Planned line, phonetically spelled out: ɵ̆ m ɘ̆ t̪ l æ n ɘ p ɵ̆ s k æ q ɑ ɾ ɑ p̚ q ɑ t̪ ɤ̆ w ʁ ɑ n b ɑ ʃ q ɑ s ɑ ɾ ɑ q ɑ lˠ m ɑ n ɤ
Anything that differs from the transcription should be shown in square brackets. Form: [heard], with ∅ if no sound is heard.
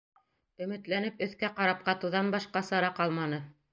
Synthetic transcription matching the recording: ɵ̆ m ɘ̆ t̪ l æ n ɘ p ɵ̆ [θ] k æ q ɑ ɾ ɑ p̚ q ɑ t̪ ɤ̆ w [ð] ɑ n b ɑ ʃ q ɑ s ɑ ɾ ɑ q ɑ lˠ m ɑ n ɤ